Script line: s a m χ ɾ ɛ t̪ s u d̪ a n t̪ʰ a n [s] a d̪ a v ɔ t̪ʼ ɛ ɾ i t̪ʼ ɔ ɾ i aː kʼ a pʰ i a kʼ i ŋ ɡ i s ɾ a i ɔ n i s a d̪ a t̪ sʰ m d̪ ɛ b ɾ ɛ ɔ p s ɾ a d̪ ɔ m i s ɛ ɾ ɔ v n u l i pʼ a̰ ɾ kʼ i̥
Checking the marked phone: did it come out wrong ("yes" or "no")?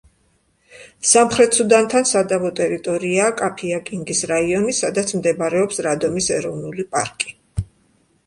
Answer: no